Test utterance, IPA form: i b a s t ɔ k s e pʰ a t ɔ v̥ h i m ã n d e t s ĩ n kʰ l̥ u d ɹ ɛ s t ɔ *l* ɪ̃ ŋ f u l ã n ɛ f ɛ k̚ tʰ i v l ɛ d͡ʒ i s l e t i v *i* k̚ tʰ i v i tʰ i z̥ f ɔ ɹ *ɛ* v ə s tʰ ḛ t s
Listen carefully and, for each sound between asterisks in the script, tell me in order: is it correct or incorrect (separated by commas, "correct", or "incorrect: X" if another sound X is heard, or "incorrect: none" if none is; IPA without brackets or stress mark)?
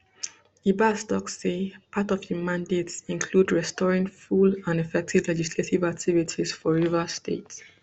incorrect: ɹ, incorrect: a, incorrect: i